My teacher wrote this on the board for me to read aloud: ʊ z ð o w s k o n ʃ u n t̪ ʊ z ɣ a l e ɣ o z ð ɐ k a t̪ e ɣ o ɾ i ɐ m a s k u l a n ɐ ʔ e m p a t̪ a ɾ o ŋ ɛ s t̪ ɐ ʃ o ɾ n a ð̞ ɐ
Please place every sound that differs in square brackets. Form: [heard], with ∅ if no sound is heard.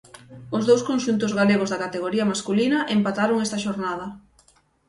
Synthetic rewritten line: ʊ z ð o w s k o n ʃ u n t̪ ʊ z ɣ a l e ɣ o z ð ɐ k a t̪ e ɣ o ɾ i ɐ m a s k u l [i] n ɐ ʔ e m p a t̪ a ɾ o ŋ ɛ s t̪ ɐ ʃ o ɾ n a ð̞ ɐ